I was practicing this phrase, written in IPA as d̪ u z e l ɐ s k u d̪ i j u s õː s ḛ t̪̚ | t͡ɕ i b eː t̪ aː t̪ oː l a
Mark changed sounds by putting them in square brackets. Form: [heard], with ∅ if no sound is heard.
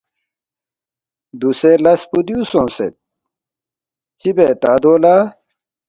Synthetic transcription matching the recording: d̪ u [s] e l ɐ s [p] u d̪ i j u s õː s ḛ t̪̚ | t͡ɕ i b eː t̪ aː [d̪] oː l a